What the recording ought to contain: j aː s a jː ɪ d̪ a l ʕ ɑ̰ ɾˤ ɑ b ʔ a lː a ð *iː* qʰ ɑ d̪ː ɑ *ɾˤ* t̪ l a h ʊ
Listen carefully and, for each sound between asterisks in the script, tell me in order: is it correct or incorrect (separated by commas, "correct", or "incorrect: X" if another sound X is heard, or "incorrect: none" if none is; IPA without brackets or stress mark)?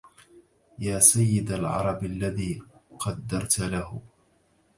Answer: correct, correct